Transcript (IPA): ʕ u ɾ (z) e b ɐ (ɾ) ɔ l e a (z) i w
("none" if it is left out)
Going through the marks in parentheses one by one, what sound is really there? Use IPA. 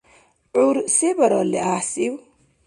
s, ɾ, s

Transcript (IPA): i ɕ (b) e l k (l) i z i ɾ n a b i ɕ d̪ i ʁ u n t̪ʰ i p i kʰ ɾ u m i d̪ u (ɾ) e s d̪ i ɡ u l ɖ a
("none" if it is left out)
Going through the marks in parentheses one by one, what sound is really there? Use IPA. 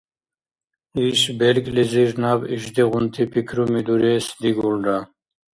b, l, ɾ

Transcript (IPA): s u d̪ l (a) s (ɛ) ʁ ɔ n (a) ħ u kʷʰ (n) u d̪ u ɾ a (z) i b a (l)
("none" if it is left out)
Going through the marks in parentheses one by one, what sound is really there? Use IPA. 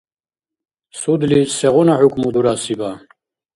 i, ɛ, a, m, s, none

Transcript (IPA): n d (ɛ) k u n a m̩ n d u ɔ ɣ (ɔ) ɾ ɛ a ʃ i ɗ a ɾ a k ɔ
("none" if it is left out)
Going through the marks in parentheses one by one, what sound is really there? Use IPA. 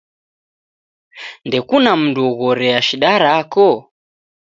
ɛ, ɔ

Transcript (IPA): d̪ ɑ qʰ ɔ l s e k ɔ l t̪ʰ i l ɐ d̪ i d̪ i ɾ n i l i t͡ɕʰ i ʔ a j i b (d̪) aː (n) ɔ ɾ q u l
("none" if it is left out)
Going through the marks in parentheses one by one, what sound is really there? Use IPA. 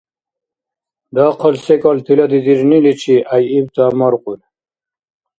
t̪, m

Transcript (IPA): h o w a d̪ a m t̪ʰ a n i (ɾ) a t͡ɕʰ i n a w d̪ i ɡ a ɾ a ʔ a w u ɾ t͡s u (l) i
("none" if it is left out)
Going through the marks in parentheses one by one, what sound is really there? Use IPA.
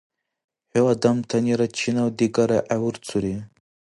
ɾ, ɾ

